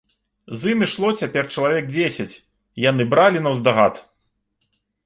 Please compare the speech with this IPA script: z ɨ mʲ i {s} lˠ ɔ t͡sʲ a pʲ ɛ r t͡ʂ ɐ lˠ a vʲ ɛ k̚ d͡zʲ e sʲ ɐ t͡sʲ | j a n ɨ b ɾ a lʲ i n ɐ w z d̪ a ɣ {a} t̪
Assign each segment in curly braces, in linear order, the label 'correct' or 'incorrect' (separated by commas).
incorrect, correct